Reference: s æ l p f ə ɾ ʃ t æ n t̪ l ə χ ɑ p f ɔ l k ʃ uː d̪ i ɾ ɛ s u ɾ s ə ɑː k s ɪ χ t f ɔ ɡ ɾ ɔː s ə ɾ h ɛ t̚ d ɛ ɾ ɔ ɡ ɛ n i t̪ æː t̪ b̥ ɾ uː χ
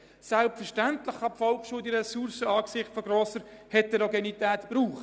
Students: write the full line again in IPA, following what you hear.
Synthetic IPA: s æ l p f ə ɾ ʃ t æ n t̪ l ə χ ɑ p f ɔ l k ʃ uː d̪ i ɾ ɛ s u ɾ s ə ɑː k s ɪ χ t f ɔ ɡ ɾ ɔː s ə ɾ h ɛ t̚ d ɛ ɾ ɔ ɡ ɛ n i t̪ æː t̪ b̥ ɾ uː χ